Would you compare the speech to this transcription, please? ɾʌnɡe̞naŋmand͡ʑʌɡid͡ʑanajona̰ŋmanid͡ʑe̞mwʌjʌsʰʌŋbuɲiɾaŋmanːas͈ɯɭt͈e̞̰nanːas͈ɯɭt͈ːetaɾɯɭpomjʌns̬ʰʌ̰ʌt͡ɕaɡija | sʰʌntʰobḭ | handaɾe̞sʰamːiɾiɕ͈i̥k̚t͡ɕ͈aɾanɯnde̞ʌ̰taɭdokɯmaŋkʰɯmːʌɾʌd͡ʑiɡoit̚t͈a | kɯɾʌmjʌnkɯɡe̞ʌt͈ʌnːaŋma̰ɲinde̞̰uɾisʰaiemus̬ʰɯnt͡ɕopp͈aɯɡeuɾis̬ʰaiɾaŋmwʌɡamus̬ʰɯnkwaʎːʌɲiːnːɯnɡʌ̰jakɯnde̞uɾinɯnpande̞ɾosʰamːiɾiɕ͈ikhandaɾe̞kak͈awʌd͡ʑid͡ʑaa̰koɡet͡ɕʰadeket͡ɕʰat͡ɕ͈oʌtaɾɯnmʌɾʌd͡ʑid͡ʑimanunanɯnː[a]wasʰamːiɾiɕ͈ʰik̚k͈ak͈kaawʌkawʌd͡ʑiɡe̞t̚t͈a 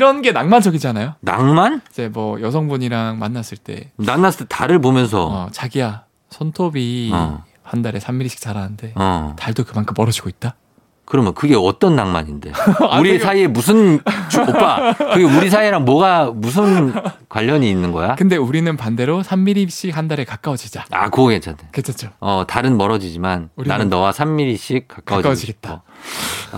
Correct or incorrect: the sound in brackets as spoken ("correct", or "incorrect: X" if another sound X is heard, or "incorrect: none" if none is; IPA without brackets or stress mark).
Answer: incorrect: ʌ